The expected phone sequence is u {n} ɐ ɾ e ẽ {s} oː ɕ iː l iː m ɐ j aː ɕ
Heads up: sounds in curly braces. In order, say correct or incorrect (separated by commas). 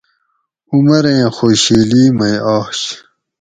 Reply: incorrect, incorrect